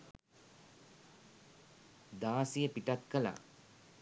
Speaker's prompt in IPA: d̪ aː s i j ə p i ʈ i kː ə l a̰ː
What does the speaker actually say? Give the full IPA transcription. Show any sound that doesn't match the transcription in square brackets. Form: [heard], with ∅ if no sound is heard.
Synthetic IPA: d̪ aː s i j ə p i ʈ [a] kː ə l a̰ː

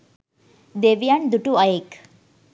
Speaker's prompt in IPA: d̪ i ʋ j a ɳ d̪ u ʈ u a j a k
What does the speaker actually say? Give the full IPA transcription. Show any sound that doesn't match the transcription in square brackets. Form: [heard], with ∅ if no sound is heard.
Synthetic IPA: d̪ [e] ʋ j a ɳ d̪ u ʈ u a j [e] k

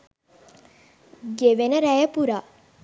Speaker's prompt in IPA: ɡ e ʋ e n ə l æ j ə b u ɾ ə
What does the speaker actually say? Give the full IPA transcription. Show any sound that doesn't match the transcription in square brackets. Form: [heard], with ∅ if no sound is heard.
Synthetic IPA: ɡ e ʋ e n ə [ɾ] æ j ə [p] u ɾ [a]

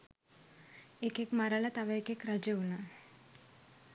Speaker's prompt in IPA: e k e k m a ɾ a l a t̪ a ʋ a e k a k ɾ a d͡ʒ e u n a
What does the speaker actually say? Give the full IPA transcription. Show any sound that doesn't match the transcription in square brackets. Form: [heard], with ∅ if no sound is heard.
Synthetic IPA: e k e k m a ɾ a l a t̪ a ʋ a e k [e] k ɾ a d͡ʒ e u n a

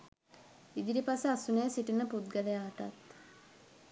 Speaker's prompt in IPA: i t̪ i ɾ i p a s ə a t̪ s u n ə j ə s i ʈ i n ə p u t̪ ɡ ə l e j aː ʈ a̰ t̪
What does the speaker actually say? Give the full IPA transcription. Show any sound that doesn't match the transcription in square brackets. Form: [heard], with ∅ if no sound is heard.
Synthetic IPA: i [d̪] i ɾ i p a s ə a [∅] s u n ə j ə s i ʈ i n ə p u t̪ ɡ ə l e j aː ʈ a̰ t̪

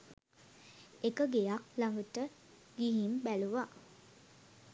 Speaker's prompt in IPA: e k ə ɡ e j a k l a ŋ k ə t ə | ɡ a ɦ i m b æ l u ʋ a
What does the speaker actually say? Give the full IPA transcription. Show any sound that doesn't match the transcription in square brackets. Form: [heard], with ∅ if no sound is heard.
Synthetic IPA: e k ə ɡ e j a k l a ŋ [ɡ] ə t ə | ɡ [i] ɦ i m b æ l u ʋ a

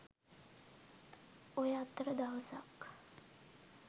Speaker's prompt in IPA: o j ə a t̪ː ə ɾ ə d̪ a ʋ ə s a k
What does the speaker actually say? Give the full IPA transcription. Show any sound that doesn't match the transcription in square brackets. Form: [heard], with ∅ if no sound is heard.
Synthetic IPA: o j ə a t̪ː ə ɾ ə d̪ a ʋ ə s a k

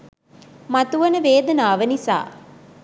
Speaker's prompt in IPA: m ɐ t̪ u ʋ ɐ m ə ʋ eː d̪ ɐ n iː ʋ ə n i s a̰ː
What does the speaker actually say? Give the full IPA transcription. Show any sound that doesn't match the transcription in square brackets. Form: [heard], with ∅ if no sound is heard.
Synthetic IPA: m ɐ t̪ u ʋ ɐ [n] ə ʋ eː d̪ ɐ n [aː] ʋ ə n i s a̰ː

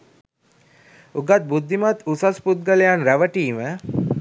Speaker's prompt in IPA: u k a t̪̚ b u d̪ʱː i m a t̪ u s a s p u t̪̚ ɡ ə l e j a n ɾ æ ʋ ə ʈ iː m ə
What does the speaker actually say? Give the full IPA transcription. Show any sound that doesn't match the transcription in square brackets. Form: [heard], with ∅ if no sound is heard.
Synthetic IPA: u [ɡ] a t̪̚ b u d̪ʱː i m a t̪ u s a s p u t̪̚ ɡ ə l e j a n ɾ æ ʋ ə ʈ iː m ə

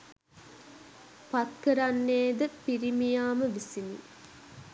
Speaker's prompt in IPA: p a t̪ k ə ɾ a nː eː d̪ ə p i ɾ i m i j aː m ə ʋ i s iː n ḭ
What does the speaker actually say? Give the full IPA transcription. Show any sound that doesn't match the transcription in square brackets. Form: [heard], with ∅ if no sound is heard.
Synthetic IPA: p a t̪ k ə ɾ a nː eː d̪ ə p i ɾ i m i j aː m ə ʋ i s [i] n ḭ

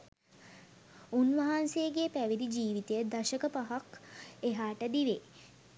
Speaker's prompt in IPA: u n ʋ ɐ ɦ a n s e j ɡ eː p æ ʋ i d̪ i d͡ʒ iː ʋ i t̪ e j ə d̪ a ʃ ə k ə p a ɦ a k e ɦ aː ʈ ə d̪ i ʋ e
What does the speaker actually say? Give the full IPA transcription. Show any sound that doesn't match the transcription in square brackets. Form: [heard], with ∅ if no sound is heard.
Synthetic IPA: u n ʋ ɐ ɦ a n s e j ɡ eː p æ ʋ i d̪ i d͡ʒ iː ʋ i t̪ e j ə d̪ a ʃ ə k ə p a ɦ a k e ɦ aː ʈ ə d̪ i ʋ e

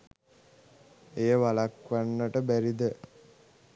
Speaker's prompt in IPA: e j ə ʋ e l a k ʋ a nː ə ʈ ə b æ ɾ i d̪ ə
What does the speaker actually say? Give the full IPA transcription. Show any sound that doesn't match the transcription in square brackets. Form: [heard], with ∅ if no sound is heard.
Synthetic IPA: e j ə ʋ [a] l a k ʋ a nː ə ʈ ə b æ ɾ i d̪ ə

